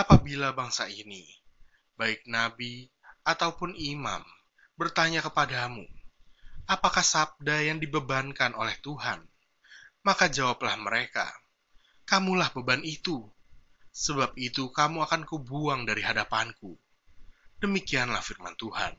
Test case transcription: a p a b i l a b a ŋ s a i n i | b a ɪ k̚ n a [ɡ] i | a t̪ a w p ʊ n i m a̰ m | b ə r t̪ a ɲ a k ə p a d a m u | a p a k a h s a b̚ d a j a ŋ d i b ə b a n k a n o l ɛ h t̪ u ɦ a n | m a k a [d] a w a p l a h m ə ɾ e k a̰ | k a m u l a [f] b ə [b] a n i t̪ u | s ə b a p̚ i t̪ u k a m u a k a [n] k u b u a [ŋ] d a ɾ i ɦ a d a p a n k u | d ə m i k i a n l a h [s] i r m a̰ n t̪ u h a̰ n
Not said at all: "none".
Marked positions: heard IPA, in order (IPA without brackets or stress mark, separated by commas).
b, d͡ʒ, h, b, n, ŋ, f